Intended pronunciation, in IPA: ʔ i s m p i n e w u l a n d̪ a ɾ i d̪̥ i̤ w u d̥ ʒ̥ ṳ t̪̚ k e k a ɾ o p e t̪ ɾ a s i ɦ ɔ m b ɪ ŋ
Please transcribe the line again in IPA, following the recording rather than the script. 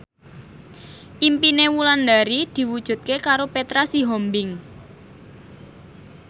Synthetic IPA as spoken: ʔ i m p i n e w u l a n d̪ a ɾ i d̪̥ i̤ w u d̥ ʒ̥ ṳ t̪̚ k e k a ɾ o p e t̪ ɾ a s i ɦ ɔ m b ɪ ŋ